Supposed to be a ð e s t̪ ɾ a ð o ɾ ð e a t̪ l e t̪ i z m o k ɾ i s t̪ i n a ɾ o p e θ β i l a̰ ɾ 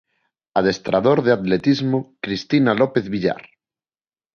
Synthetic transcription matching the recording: a ð e s t̪ ɾ a ð o ɾ ð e a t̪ l e t̪ i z m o k ɾ i s t̪ i n a l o p e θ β i ʎ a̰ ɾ